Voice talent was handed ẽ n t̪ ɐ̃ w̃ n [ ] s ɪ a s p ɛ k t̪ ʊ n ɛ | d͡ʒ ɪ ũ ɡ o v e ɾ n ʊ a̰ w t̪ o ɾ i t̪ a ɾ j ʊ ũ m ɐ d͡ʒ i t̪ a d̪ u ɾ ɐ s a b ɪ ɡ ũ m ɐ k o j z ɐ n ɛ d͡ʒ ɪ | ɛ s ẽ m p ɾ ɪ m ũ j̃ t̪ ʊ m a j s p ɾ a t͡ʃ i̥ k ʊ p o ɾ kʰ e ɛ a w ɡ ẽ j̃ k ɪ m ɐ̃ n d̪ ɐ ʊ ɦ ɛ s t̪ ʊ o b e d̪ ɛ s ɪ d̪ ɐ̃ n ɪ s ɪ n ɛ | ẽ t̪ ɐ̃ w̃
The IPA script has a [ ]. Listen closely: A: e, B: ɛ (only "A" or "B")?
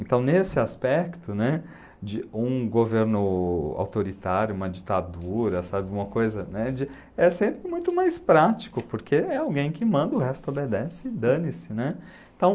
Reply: A